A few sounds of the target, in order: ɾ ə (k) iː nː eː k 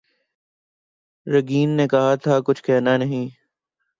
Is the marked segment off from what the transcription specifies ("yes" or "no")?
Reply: yes